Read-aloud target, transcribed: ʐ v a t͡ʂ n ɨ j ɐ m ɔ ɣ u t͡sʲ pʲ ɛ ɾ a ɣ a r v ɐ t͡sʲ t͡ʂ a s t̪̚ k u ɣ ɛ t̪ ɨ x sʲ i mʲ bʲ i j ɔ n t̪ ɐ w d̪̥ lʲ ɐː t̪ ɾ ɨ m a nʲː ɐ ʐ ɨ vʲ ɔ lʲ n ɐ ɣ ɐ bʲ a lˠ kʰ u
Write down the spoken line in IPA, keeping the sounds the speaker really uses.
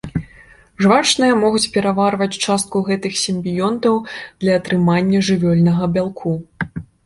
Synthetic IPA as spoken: ʐ v a t͡ʂ n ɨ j ɐ m ɔ ɣ u t͡sʲ pʲ ɛ ɾ a v a r v ɐ t͡sʲ t͡ʂ a s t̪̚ k u ɣ ɛ t̪ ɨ x sʲ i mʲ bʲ i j ɔ n t̪ ɐ w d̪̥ lʲ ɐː t̪ ɾ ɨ m a nʲː ɐ ʐ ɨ vʲ ɔ lʲ n ɐ ɣ ɐ bʲ a lˠ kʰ u